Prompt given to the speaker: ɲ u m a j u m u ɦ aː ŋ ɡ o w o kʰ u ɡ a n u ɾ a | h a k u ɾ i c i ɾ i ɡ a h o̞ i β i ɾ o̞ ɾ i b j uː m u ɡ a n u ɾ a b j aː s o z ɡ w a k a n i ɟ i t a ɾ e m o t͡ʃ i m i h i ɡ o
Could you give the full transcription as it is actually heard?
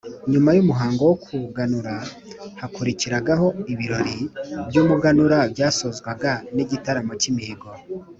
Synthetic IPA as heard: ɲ u m a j u m u ɦ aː ŋ ɡ o w o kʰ u ɡ a n u ɾ a | h a k u ɾ i c i ɾ a ɡ a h o̞ i β i ɾ o̞ ɾ i b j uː m u ɡ a n u ɾ a b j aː s o z ɡ w a ɡ a n i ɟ i t a ɾ a m o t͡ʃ i m i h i ɡ o